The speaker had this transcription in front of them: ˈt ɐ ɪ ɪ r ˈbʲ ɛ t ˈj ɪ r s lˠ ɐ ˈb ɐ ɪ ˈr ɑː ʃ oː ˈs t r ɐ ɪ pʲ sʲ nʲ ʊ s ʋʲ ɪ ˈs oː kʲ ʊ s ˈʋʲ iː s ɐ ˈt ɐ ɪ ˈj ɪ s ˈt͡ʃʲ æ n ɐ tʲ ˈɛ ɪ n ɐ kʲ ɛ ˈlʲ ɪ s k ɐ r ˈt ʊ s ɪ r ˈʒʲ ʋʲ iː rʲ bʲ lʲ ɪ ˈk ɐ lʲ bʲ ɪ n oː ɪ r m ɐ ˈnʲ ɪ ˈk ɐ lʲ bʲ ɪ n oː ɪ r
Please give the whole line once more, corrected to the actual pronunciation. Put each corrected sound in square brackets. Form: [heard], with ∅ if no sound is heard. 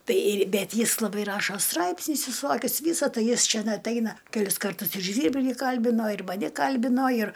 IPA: ˈt ɐ ɪ ɪ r ˈbʲ ɛ t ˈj ɪ [∅] s lˠ ɐ ˈb ɐ ɪ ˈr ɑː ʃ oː ˈs t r ɐ ɪ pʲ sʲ nʲ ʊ s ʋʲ ɪ ˈs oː kʲ ʊ s ˈʋʲ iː s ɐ ˈt ɐ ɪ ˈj ɪ s ˈt͡ʃʲ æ n ɐ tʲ ˈɛ ɪ n ɐ kʲ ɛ ˈlʲ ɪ s k ɐ r ˈt ʊ s ɪ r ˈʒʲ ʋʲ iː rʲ bʲ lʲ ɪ ˈk ɐ lʲ bʲ ɪ n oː ɪ r m ɐ ˈnʲ ɪ ˈk ɐ lʲ bʲ ɪ n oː ɪ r